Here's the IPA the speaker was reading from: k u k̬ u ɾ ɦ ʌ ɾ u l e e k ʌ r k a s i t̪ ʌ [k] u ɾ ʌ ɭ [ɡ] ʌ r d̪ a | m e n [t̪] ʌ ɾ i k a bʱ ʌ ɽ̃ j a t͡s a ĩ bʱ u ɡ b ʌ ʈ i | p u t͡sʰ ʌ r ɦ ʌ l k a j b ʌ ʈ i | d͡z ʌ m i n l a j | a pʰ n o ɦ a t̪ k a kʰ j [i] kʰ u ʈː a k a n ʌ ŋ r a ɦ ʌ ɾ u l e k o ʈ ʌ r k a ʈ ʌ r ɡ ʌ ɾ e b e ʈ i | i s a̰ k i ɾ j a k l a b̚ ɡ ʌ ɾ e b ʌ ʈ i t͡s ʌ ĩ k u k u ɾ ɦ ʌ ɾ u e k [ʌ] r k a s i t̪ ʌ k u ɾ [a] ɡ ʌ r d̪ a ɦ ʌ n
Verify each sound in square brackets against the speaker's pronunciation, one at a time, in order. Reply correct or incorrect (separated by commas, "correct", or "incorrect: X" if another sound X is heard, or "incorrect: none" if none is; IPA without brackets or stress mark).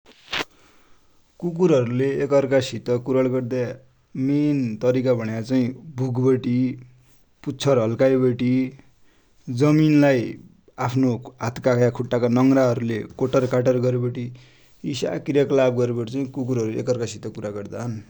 correct, correct, correct, incorrect: a, correct, correct